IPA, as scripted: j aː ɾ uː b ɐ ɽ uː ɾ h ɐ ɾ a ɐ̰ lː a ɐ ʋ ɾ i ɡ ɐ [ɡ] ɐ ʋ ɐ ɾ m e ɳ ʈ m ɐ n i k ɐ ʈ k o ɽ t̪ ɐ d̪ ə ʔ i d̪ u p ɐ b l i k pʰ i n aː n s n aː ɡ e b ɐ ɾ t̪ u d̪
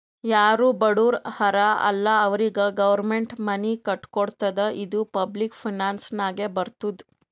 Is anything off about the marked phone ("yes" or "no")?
no